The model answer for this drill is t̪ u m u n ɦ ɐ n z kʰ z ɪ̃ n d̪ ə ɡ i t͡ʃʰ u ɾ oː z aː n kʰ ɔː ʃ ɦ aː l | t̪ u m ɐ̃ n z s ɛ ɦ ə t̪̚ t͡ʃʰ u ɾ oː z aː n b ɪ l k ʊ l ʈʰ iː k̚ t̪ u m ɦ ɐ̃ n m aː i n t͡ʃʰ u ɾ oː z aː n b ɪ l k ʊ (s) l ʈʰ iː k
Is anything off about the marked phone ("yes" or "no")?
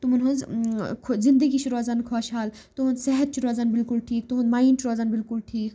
yes